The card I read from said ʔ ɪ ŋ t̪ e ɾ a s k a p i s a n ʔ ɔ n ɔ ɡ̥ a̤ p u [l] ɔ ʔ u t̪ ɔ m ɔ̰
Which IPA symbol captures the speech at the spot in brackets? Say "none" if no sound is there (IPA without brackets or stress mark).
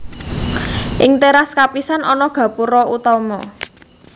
ɾ